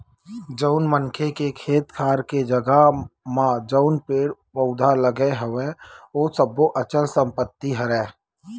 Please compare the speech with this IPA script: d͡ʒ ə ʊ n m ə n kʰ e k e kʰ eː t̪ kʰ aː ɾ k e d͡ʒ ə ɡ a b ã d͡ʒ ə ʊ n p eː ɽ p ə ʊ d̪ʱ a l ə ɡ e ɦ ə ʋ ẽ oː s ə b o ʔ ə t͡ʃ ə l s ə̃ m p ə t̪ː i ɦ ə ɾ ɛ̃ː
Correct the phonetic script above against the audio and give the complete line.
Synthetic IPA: d͡ʒ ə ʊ n m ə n kʰ e k e kʰ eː t̪ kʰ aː ɾ k e d͡ʒ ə ɡ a m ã d͡ʒ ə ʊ n p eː ɽ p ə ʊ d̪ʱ a l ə ɡ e ɦ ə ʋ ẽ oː s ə b o ʔ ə t͡ʃ ə l s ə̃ m p ə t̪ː i ɦ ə ɾ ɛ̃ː